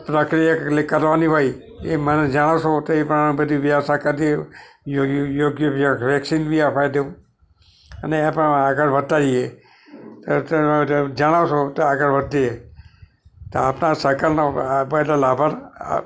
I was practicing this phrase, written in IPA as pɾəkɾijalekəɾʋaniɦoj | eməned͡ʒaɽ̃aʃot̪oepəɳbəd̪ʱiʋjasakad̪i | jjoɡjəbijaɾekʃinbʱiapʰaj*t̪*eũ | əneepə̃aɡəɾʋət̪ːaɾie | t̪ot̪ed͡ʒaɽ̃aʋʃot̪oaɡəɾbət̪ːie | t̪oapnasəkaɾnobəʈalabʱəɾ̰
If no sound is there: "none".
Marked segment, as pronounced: d̪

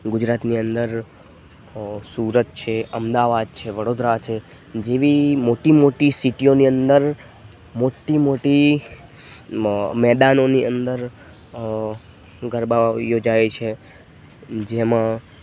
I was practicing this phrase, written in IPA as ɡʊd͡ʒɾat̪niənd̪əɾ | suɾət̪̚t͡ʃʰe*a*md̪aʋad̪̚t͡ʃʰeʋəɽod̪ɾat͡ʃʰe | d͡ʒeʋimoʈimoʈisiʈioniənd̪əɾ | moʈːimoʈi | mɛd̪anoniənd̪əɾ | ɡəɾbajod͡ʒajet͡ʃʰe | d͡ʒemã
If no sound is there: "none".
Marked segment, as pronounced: ə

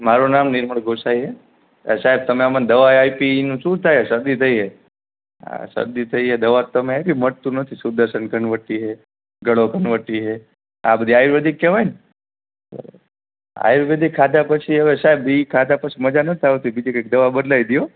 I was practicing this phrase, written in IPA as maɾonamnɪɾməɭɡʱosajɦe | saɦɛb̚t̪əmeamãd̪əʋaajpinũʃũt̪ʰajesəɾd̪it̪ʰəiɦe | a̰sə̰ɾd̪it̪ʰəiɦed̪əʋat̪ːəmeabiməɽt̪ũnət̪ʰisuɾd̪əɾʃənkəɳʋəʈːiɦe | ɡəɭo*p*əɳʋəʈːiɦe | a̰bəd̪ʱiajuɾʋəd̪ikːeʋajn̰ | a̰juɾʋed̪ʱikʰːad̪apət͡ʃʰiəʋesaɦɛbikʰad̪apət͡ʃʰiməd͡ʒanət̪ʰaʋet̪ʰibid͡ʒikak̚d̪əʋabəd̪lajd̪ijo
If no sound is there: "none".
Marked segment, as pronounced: k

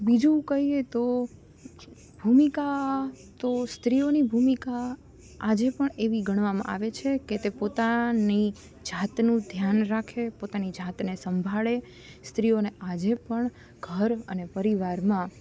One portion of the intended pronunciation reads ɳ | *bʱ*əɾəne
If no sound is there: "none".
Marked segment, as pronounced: ɡʱ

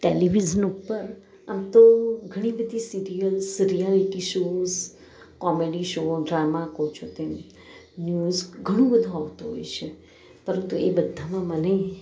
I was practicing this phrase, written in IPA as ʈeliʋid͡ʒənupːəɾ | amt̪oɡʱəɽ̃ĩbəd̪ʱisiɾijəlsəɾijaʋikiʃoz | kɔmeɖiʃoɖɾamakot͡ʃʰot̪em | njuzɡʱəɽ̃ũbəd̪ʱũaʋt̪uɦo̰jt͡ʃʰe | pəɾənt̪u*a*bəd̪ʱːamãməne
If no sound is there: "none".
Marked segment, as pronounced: e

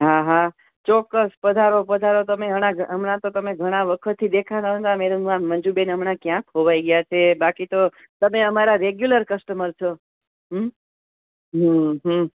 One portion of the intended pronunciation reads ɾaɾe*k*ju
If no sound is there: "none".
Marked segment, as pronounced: ɡ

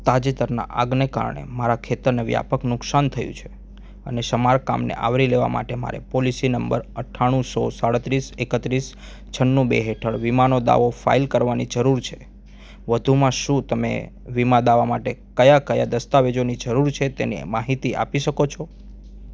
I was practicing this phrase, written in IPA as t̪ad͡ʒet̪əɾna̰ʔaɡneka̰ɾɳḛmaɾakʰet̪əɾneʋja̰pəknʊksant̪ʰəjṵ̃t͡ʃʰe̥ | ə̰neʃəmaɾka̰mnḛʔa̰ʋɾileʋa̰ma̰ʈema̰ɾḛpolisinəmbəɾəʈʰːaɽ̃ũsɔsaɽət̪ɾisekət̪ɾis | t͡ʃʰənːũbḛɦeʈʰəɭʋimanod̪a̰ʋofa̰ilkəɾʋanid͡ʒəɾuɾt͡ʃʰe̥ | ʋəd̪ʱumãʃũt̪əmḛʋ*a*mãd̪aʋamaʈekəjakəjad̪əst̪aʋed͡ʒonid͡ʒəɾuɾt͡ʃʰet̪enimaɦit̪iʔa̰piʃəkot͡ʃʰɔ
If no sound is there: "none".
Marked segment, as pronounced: i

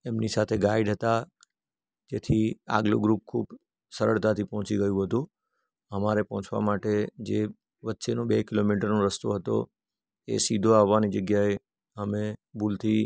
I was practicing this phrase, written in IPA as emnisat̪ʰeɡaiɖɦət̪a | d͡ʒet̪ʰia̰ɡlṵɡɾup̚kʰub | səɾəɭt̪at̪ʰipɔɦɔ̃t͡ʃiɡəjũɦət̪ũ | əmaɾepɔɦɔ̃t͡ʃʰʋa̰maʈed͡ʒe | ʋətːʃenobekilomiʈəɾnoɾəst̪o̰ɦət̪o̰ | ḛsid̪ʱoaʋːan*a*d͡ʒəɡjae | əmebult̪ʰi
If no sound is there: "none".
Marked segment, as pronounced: i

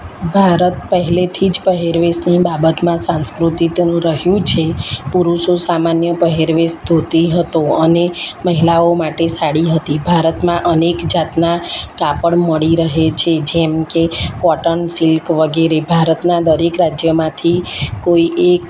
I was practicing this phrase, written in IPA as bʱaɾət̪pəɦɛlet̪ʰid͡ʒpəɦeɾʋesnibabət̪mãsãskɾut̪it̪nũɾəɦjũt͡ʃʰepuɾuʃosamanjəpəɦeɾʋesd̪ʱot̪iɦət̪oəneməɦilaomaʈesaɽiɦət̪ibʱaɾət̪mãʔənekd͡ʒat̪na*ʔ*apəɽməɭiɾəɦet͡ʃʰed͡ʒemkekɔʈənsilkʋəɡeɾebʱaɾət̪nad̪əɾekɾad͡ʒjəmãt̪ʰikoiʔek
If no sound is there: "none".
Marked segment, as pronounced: k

